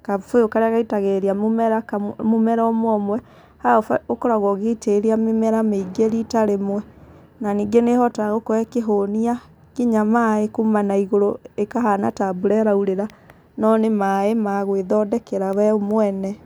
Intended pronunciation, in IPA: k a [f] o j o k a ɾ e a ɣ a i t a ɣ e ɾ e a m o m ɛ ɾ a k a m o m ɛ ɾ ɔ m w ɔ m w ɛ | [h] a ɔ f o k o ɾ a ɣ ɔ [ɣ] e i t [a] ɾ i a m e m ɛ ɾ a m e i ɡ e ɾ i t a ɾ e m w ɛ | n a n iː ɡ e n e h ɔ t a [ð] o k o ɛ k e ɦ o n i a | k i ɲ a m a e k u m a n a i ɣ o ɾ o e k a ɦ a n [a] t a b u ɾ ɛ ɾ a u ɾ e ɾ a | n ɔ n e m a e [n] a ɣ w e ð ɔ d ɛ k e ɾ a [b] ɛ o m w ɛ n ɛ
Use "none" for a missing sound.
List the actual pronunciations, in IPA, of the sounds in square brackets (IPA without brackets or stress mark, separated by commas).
f, h, ɣ, e, ɣ, a, m, w